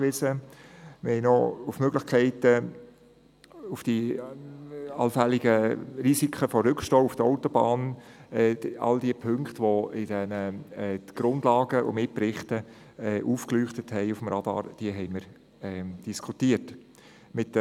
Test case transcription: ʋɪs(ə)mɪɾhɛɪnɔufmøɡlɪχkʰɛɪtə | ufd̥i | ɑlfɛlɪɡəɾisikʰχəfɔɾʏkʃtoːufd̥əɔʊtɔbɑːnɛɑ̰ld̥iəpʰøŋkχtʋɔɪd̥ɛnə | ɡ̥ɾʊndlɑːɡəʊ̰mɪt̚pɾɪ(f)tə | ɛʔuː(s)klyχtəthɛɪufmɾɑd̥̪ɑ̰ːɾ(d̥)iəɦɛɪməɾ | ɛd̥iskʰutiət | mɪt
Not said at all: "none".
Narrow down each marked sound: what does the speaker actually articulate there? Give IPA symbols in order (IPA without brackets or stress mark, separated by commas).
ə, χ, f, d̥